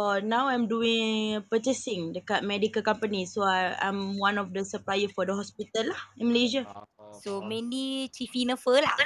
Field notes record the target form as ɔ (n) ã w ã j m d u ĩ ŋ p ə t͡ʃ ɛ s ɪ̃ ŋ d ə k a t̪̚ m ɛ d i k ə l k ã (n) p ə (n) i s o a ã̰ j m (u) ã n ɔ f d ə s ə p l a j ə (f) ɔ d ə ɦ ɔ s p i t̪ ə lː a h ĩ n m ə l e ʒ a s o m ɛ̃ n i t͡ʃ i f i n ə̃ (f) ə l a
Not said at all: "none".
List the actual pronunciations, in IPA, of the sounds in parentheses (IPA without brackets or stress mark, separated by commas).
n, m, n, w, f, f